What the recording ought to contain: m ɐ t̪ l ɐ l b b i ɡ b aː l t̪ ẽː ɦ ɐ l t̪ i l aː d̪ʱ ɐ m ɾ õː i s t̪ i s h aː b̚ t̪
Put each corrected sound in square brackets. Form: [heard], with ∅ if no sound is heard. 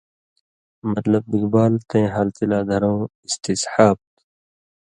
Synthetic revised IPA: m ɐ t̪ l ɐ [∅] b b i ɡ b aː l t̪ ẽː ɦ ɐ l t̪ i l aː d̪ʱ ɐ [∅] ɾ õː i s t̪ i s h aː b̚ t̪